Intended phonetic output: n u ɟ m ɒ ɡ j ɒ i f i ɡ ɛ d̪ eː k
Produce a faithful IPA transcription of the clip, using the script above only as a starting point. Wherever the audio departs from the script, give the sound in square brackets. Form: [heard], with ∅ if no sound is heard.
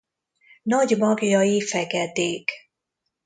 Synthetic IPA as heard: n [ɒ] ɟ m ɒ ɡ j ɒ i f [ɛ] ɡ ɛ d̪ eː k